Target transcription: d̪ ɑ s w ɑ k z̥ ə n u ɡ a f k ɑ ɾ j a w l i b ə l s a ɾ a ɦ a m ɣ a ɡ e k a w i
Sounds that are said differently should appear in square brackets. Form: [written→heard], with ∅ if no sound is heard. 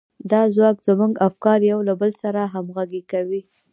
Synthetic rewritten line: d̪ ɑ [s→z] w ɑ k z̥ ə [n→m] u ɡ a f k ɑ ɾ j a w l [i→a] b ə l s a ɾ a ɦ a m ɣ a ɡ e k a w i